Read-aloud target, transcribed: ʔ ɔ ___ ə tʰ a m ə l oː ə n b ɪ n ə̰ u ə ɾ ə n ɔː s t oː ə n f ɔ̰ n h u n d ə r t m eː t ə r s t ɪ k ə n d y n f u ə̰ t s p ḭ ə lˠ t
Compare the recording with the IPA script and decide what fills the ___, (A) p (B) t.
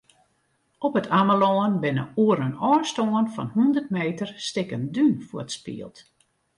A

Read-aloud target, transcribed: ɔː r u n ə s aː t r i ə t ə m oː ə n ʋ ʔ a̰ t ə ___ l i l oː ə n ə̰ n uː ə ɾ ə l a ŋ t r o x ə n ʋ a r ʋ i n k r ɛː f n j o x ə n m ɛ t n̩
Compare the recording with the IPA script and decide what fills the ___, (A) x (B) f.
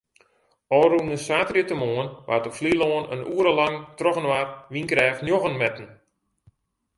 B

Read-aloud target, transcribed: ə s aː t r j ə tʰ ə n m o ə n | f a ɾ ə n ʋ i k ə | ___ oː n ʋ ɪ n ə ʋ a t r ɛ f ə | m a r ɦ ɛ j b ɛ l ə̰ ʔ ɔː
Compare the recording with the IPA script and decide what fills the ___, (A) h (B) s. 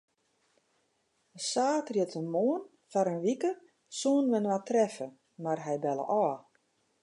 B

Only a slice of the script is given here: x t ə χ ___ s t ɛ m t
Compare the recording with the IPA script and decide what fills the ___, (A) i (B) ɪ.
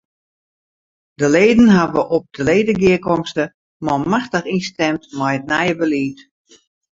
A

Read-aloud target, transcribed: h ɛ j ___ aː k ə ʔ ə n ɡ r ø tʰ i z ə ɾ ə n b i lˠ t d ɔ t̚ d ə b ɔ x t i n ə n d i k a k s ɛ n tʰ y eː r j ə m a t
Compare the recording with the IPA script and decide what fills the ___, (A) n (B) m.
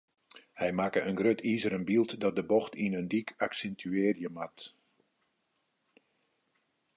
B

